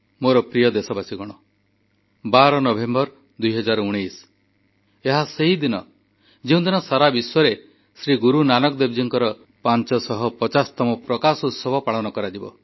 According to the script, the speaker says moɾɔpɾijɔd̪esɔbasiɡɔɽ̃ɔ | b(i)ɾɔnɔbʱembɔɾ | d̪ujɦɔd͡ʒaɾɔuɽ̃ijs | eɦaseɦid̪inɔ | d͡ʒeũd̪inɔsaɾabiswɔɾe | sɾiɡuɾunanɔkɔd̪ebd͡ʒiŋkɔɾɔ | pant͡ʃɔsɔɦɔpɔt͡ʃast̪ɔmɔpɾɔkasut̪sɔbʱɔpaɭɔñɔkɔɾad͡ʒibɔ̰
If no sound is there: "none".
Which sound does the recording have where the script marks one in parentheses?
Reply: a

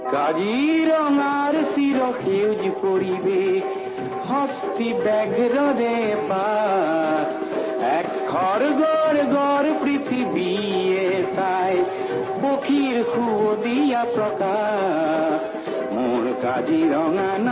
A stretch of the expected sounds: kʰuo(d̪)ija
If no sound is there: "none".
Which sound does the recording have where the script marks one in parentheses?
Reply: d̪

